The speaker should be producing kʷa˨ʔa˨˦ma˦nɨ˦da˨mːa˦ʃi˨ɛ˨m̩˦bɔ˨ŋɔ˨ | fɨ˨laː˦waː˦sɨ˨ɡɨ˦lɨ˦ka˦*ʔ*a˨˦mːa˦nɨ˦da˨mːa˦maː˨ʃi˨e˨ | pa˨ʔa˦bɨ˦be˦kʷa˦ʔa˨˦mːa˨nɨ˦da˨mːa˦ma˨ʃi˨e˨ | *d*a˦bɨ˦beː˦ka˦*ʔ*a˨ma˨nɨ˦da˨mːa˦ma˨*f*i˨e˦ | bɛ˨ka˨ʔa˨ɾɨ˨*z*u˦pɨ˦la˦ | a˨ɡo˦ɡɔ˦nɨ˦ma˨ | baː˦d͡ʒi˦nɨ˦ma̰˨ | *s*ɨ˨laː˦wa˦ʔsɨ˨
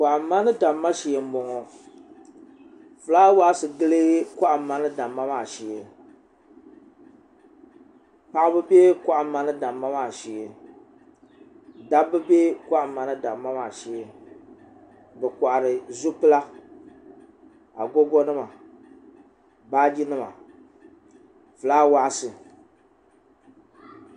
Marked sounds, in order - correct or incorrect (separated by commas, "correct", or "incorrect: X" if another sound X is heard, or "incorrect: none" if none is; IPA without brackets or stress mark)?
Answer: correct, correct, correct, incorrect: ʃ, correct, incorrect: f